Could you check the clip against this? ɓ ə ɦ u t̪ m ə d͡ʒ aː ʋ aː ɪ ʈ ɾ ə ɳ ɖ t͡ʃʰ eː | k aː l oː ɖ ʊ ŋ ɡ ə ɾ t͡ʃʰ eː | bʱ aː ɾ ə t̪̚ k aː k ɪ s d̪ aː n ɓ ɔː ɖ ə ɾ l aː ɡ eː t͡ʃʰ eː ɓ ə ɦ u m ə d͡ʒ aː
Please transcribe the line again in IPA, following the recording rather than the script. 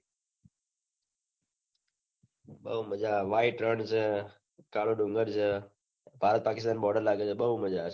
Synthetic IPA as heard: ɓ ə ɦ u m ə d͡ʒ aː ʋ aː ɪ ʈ ɾ ə ɳ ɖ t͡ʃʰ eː | k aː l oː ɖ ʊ ŋ ɡ ə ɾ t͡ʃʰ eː | bʱ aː ɾ ə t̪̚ p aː k ɪ s t̪ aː n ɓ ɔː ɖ ə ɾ l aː ɡ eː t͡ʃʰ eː ɓ ə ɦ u m ə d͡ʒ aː